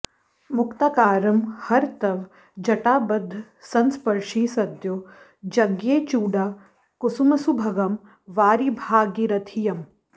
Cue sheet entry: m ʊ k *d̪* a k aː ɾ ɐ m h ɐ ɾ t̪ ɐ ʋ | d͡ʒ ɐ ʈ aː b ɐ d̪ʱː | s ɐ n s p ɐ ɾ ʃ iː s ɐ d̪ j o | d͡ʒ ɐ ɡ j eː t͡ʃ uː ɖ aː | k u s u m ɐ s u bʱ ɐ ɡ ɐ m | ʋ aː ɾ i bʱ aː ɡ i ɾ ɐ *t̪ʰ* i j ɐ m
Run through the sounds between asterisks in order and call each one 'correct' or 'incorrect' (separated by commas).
incorrect, correct